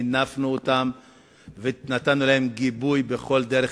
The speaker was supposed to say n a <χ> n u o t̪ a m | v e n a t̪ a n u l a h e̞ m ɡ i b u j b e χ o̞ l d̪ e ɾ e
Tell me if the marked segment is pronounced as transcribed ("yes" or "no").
no